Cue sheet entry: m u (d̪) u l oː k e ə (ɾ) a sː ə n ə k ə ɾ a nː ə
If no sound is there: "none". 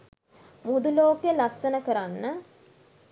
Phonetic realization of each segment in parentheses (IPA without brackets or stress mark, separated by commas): d̪, l